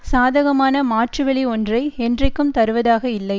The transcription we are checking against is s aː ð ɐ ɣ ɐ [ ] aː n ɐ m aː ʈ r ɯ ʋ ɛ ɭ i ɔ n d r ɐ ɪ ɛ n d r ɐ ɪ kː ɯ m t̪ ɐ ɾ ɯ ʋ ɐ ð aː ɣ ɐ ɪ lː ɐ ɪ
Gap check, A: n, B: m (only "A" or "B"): B